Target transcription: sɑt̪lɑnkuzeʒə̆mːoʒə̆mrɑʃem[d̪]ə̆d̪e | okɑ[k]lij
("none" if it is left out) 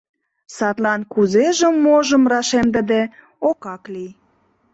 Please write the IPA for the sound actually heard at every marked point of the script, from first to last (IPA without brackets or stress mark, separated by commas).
d̪, k